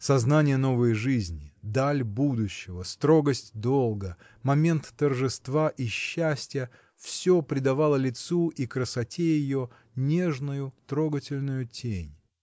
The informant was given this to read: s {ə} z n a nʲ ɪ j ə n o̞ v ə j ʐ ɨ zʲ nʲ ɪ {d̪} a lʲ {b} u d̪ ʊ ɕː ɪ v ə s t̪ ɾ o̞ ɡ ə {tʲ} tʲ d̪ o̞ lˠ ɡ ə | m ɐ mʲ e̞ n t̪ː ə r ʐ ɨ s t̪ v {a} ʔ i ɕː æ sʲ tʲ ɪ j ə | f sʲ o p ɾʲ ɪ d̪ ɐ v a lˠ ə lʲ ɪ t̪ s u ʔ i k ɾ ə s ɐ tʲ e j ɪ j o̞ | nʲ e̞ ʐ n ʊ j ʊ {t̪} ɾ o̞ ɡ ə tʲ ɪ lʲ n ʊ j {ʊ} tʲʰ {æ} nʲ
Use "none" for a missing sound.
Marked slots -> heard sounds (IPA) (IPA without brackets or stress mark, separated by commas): ɐ, d̪, b, sʲ, a, t̪, ʊ, e